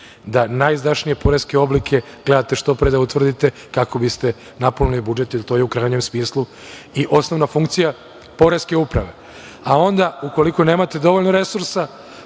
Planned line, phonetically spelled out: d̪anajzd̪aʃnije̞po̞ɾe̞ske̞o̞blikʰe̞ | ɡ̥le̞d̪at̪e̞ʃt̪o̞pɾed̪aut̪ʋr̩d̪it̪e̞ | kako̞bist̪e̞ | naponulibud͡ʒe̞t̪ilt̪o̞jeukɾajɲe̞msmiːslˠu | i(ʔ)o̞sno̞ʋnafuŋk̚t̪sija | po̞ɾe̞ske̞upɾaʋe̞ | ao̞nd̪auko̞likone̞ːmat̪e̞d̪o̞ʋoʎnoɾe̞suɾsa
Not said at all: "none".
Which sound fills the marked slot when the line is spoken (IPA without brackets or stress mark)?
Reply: ʔ